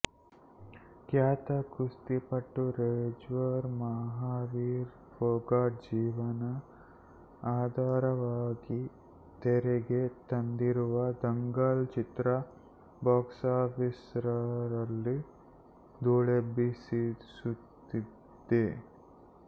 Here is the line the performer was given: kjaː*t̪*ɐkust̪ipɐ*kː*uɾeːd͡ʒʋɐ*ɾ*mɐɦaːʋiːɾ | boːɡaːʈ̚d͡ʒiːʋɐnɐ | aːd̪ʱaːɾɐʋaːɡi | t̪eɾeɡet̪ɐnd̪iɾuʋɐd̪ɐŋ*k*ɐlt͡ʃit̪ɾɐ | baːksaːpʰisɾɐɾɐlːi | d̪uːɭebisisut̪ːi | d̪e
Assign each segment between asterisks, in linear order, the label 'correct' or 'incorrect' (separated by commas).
correct, incorrect, correct, incorrect